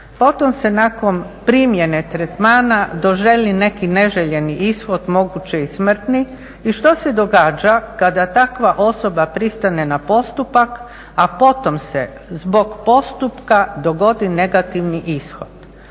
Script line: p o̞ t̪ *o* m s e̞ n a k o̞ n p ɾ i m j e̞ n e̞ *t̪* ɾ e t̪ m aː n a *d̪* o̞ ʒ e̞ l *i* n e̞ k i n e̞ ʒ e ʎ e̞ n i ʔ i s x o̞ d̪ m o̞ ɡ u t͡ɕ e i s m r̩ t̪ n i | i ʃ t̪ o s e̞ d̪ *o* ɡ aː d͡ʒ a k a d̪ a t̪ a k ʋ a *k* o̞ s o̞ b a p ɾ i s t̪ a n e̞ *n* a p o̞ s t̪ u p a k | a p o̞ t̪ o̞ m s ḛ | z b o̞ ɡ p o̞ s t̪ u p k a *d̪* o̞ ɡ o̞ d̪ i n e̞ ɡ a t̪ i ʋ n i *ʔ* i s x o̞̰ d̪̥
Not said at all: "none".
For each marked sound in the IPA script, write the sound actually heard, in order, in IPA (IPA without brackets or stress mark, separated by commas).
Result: o, t̪, d̪, i, o, ʔ, n, d̪, ʔ